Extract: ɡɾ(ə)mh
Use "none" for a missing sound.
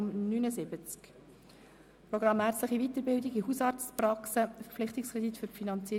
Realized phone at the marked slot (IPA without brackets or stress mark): ɑ